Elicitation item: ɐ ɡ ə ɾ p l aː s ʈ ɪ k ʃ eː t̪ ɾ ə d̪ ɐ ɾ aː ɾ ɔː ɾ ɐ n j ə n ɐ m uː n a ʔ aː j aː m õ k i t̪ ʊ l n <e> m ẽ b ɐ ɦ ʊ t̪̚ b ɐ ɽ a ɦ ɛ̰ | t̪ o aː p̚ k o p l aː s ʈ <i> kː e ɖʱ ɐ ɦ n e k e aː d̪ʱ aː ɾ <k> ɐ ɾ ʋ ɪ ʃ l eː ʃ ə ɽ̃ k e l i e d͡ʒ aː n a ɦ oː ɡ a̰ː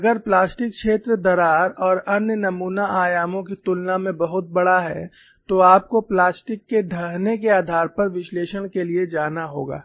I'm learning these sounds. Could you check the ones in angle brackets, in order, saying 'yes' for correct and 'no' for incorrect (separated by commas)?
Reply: no, no, no